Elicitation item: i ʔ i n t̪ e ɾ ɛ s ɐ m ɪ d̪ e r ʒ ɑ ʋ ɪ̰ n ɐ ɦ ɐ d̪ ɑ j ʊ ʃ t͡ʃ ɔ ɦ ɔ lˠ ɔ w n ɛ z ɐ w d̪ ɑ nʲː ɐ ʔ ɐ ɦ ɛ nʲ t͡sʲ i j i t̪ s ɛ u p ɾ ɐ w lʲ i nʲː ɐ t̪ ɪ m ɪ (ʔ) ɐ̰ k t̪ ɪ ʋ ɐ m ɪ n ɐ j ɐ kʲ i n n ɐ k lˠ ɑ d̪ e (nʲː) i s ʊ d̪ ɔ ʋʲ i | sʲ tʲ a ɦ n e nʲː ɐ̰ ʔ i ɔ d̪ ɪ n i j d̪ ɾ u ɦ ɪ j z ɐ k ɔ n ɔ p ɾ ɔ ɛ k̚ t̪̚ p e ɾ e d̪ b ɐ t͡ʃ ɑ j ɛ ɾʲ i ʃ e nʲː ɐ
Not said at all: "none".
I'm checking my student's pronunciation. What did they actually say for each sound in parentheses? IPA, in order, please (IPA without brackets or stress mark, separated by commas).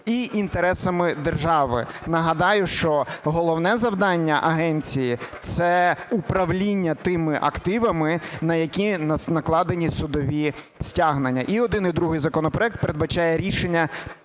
ʔ, nʲ